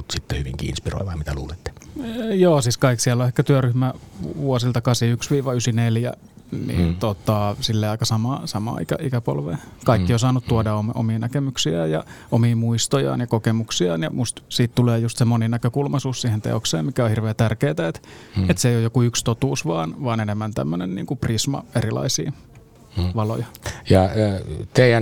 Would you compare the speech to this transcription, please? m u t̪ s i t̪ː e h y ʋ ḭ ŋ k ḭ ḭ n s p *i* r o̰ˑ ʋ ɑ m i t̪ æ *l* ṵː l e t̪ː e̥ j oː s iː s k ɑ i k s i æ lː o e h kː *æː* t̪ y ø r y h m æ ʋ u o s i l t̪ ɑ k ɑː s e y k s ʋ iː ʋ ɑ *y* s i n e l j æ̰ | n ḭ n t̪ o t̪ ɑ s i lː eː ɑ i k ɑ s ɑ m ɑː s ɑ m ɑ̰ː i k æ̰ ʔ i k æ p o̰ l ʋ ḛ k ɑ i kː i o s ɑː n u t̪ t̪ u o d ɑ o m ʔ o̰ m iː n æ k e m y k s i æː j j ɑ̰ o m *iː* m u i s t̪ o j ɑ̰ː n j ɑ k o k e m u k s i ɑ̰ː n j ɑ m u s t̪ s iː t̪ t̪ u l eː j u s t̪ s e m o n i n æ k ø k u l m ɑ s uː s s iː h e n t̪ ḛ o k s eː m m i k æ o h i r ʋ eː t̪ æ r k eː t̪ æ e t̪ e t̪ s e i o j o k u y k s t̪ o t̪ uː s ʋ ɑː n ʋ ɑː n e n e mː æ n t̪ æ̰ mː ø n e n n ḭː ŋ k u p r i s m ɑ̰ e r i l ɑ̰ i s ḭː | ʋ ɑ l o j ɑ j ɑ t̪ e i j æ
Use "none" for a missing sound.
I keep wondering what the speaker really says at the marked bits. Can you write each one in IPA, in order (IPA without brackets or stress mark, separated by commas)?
i, l, æ, y, iː